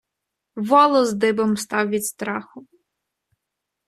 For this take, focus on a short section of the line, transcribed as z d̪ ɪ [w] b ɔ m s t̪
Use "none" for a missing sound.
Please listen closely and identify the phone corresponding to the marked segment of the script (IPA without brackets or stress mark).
none